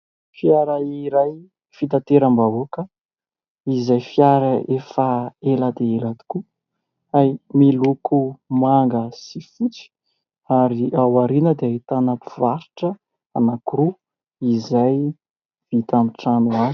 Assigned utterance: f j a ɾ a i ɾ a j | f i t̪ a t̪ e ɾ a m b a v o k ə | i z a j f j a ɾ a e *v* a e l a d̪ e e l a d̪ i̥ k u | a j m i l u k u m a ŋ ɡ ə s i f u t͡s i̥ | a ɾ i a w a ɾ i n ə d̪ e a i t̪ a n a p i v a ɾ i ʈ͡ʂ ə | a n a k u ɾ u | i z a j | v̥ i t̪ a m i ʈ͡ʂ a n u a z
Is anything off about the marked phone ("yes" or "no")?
yes